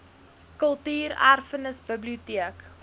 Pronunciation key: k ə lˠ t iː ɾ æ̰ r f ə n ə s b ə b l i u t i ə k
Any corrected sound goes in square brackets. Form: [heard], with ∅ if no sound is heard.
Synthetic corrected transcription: k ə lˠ t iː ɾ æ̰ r f ə n ə s b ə b l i u t i ə k